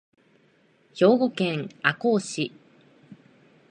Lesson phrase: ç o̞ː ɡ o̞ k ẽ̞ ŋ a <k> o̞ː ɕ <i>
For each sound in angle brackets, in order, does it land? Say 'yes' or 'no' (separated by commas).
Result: yes, yes